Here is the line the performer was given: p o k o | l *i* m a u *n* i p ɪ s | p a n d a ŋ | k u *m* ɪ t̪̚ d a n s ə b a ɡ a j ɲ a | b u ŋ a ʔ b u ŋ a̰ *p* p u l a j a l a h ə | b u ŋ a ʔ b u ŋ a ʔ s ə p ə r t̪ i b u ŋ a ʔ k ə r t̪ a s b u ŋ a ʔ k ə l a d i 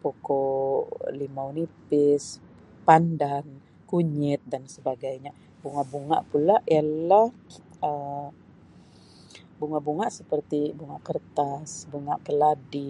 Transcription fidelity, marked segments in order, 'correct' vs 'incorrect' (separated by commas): correct, correct, incorrect, incorrect